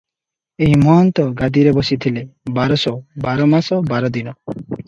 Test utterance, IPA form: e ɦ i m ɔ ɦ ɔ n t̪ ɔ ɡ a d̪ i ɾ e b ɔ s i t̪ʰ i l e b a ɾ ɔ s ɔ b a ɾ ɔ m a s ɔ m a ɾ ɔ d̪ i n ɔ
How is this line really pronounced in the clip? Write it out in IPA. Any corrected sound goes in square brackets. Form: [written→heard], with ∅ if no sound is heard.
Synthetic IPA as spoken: e ɦ i m ɔ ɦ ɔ n t̪ ɔ ɡ a d̪ i ɾ e b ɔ s i t̪ʰ i l e b a ɾ ɔ s ɔ b a ɾ ɔ m a s ɔ [m→b] a ɾ ɔ d̪ i n ɔ